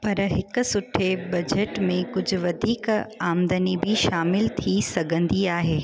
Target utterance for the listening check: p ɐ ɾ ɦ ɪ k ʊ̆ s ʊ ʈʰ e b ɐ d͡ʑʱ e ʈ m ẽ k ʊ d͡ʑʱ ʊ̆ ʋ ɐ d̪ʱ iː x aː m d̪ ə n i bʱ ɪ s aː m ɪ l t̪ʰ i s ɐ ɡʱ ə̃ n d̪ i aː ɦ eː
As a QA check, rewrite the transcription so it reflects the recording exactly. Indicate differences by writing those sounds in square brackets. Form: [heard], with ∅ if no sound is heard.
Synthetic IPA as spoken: p ɐ ɾ ɦ ɪ k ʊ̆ s ʊ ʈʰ e b ɐ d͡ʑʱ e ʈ m ẽ k ʊ d͡ʑʱ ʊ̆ ʋ ɐ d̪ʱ iː [k] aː m d̪ ə n i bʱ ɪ [ʃ] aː m ɪ l t̪ʰ i s ɐ ɡʱ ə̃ n d̪ i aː ɦ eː